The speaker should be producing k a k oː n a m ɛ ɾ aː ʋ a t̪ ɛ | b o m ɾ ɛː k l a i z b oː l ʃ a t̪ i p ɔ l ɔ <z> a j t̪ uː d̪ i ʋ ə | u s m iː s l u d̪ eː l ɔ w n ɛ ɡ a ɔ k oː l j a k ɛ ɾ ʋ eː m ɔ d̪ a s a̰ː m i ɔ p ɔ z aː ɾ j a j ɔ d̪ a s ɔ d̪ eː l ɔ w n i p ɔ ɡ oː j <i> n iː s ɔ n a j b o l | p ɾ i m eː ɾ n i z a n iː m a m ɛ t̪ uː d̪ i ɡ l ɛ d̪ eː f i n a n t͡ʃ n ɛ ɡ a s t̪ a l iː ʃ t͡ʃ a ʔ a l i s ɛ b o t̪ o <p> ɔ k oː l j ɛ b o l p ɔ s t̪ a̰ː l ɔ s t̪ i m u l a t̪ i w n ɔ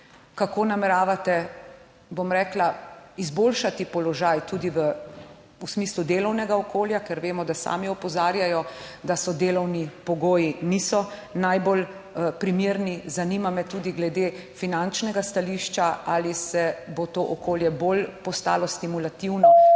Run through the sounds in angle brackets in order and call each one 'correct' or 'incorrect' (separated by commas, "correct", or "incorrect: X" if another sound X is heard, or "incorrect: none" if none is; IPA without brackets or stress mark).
incorrect: ʒ, correct, incorrect: ʔ